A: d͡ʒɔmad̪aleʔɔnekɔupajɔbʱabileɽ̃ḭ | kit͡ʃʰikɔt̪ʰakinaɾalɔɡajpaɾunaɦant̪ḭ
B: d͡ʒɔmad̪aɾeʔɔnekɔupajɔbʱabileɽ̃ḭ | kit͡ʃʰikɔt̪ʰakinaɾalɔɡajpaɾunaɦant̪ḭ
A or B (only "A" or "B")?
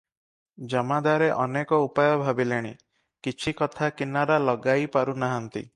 B